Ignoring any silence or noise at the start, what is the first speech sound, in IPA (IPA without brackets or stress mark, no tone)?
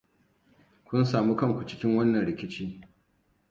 kʷ